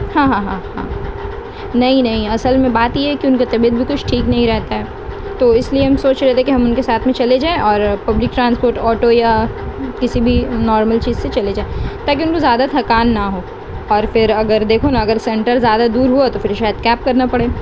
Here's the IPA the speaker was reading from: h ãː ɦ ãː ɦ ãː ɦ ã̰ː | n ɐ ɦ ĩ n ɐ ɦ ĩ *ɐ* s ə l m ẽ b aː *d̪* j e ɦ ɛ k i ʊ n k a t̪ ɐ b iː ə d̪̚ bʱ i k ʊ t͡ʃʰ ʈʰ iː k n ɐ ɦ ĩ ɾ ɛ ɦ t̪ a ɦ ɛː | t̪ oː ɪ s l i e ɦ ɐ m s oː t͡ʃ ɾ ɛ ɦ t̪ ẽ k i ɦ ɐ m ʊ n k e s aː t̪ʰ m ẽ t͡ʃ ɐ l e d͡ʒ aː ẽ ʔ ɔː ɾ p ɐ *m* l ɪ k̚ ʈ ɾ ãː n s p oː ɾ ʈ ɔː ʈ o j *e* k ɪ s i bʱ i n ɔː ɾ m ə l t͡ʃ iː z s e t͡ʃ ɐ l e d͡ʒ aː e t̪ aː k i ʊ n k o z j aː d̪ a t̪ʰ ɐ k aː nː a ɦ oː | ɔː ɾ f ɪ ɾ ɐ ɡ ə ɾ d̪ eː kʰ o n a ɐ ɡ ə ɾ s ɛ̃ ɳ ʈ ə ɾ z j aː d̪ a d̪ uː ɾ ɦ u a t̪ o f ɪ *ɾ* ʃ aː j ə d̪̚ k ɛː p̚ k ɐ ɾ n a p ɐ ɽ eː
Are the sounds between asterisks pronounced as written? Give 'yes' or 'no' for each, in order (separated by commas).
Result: yes, no, no, no, yes